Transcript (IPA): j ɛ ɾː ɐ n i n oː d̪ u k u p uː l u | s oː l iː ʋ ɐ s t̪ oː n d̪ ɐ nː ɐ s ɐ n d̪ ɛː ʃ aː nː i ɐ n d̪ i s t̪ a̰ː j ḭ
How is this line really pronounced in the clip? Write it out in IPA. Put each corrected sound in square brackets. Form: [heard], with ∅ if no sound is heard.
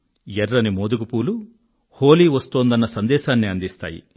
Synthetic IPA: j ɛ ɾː ɐ n i [m] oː d̪ u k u p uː l u | [h] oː l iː ʋ ɐ s t̪ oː n d̪ ɐ nː ɐ s ɐ n d̪ ɛː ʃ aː nː i ɐ n d̪ i s t̪ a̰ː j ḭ